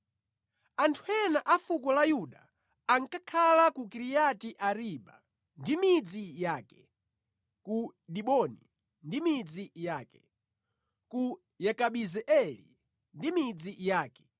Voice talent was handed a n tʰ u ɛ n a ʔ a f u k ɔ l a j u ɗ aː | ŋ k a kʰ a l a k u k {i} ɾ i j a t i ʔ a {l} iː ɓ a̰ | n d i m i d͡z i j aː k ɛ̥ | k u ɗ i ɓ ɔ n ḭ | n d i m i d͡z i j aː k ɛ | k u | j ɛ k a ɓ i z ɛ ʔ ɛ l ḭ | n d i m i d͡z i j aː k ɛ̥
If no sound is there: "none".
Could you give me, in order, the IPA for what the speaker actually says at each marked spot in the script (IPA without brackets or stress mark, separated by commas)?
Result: i, ɾ